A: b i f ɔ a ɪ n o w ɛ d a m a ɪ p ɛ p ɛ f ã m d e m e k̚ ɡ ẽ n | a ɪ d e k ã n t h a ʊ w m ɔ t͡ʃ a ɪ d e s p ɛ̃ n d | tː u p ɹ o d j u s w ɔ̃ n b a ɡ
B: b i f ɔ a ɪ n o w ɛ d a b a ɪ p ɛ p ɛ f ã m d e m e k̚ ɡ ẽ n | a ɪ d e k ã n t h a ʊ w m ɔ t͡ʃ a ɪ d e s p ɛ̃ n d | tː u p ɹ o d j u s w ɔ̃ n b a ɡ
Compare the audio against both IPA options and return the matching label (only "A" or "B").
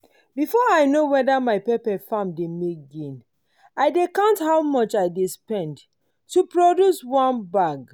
A